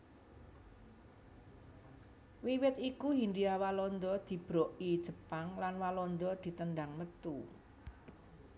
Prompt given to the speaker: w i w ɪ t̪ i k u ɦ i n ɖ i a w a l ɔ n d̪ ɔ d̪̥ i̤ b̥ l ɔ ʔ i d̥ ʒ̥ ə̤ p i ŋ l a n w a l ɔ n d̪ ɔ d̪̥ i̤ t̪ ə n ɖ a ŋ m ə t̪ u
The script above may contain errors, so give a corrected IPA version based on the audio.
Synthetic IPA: w i w ɪ t̪ i k u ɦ i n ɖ i a w a l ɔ n d̪ ɔ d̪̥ i̤ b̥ ɾ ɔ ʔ i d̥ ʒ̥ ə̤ p a ŋ l a n w a l ɔ n d̪ ɔ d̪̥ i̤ t̪ ə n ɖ a ŋ m ə t̪ u